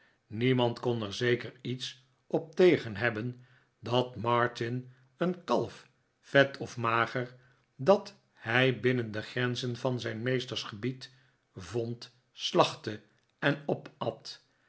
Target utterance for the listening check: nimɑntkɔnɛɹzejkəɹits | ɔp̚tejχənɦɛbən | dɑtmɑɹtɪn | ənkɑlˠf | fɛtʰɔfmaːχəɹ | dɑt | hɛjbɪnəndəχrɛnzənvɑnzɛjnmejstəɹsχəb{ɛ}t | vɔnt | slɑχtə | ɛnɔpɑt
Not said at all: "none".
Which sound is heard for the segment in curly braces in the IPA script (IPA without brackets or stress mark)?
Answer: i